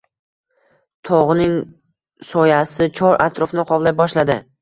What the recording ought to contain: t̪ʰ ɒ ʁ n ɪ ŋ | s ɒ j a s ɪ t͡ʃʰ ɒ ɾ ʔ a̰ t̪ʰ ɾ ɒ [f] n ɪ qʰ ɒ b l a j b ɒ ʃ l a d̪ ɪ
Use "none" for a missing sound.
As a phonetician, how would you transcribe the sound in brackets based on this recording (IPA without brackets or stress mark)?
f